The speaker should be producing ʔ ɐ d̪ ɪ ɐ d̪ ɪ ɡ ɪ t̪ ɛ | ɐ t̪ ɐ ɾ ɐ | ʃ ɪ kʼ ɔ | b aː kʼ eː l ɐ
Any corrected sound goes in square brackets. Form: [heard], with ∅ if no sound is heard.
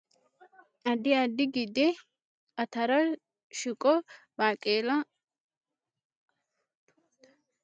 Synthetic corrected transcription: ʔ ɐ d̪ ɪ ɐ d̪ ɪ ɡ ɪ [d̪] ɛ | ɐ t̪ ɐ ɾ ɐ | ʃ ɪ kʼ ɔ | b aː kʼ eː l ɐ